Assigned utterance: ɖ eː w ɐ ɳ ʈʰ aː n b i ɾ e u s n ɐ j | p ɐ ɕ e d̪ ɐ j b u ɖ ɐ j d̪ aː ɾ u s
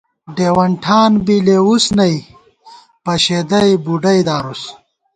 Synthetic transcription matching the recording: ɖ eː w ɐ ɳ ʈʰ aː n b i l e u s n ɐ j | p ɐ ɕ e d̪ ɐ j b u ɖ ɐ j d̪ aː ɾ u s